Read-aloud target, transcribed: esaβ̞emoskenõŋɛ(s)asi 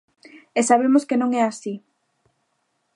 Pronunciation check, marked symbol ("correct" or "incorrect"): incorrect